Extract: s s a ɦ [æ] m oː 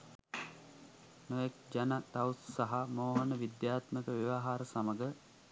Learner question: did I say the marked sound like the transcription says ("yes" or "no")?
no